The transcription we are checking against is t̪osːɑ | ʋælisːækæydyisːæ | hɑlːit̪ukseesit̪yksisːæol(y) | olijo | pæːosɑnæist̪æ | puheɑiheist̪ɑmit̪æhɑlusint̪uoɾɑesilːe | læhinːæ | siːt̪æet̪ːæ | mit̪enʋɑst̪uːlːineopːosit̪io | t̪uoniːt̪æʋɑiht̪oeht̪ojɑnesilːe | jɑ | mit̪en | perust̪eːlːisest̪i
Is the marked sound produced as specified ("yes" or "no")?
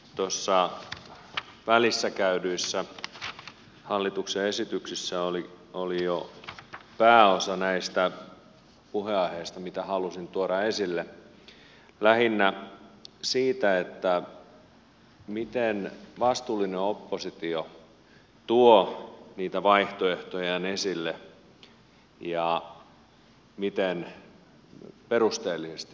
no